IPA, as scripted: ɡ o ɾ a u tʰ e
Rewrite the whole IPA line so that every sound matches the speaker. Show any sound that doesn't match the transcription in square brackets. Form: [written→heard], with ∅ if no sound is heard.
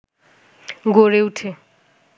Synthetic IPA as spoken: ɡ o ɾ [a→e] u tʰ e